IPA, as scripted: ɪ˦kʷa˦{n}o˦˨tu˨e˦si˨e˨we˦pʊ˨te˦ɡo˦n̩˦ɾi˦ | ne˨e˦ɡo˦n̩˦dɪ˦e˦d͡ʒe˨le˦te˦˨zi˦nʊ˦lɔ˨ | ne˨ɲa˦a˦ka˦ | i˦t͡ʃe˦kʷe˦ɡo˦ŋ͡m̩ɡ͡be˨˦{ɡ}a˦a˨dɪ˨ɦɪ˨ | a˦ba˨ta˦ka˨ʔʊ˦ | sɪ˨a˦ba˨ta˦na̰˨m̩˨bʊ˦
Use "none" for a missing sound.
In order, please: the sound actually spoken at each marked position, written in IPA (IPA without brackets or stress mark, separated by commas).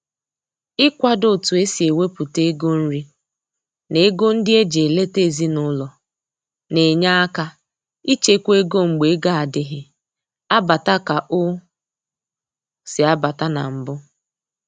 d, ɡ